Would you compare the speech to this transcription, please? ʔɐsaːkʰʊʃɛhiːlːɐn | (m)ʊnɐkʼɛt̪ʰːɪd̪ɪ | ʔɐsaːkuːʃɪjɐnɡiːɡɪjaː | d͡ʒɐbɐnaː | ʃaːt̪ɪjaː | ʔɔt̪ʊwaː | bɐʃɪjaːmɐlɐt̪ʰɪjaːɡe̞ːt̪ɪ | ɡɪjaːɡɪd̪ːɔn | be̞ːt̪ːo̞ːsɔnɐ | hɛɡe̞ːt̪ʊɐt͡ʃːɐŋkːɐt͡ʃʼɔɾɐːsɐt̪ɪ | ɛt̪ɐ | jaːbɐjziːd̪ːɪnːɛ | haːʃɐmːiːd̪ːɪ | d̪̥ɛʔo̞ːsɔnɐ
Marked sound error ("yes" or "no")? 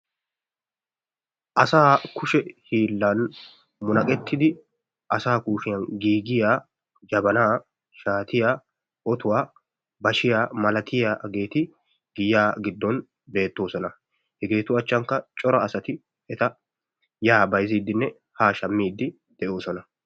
no